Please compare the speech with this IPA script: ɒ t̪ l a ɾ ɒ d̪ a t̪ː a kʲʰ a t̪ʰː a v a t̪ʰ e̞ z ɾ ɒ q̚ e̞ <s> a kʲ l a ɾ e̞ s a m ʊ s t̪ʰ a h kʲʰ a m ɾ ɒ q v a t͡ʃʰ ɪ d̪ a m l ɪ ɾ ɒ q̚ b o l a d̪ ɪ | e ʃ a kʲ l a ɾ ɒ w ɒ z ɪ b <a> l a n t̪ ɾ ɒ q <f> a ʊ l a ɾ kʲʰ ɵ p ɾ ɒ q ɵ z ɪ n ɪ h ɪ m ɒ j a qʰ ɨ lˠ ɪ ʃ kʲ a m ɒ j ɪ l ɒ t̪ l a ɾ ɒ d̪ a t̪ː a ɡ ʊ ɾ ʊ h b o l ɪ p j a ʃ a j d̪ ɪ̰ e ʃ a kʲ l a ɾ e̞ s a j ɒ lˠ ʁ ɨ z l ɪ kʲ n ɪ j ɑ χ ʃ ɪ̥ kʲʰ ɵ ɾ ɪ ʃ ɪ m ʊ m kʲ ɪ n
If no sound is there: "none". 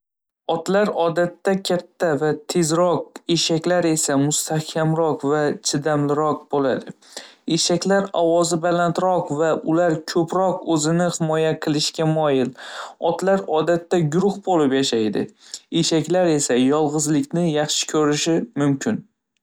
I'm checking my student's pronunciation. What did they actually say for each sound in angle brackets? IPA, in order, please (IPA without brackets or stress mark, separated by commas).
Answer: ʃ, a, v